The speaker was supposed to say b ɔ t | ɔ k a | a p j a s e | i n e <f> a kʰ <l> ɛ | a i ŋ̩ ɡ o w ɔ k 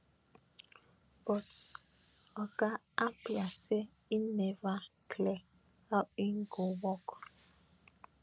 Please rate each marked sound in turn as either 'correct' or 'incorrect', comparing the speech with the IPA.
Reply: incorrect: v, correct

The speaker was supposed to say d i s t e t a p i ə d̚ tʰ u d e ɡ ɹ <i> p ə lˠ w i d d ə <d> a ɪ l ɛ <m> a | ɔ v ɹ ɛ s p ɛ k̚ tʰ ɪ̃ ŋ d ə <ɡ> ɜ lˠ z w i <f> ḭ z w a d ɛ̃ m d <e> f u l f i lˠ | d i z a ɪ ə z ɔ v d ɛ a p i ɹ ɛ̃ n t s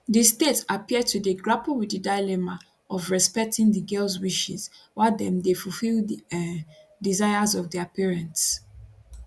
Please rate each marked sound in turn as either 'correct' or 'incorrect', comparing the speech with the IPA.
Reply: incorrect: a, correct, correct, correct, incorrect: ʃ, correct

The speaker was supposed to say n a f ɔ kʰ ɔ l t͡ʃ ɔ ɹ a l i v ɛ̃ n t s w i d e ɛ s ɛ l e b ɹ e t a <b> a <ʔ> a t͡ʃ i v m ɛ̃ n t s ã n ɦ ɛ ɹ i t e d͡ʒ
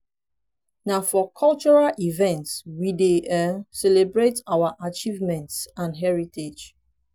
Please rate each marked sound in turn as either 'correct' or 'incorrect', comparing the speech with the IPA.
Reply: incorrect: w, correct

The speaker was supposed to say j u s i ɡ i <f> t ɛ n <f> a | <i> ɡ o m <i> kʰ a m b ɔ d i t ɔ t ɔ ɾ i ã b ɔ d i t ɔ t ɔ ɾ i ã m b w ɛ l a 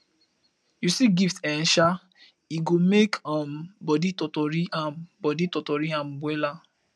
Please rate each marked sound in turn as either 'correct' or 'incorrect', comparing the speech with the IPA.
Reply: correct, incorrect: ʃ, correct, incorrect: e

